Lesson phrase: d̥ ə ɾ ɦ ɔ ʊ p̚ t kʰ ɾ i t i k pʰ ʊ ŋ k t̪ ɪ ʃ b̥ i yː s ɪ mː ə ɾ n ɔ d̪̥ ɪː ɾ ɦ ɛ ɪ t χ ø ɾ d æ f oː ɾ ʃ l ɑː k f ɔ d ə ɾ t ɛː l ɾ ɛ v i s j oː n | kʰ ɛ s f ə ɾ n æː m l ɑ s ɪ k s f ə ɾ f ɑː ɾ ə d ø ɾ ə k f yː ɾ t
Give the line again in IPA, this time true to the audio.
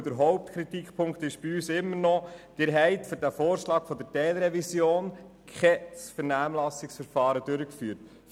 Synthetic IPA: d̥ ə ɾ ɦ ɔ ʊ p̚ t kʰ ɾ i t i k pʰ ʊ ŋ k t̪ ɪ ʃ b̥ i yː s ɪ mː ə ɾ n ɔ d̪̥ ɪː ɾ ɦ ɛ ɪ t f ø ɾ d æ f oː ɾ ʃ l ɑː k f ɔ d ə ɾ t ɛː l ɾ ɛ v i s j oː n | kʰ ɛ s f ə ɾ n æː m l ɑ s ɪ k s f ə ɾ f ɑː ɾ ə d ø ɾ ə k f yː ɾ t